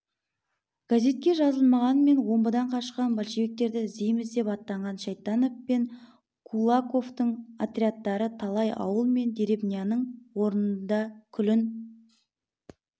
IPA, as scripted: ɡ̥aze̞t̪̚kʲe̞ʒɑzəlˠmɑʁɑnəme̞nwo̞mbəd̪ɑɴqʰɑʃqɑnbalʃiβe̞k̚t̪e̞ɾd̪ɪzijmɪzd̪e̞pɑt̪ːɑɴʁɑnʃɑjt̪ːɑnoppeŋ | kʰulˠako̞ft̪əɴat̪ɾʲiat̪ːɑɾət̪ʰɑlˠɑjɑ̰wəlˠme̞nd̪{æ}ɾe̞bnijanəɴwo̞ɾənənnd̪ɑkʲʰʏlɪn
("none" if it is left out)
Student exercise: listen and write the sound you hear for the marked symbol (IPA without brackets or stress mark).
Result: e